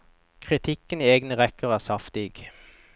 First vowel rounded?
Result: no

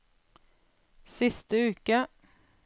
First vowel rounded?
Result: no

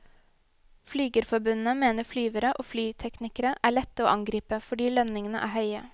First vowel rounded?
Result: yes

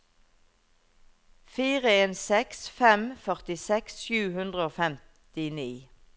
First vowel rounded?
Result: no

